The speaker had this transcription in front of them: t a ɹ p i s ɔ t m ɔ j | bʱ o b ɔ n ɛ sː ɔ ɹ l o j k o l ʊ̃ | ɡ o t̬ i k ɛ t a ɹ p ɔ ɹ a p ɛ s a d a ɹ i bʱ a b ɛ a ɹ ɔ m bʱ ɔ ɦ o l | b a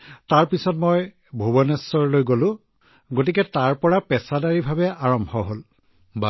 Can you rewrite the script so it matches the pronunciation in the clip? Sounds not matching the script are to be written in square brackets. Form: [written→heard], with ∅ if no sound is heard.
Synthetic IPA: t a ɹ p i s ɔ t m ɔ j | bʱ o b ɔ n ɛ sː ɔ ɹ l o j [k→ɡ] o l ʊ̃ | ɡ o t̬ i k ɛ t a ɹ p ɔ ɹ a p ɛ s a d a ɹ i bʱ a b ɛ a ɹ ɔ m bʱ ɔ ɦ o l | b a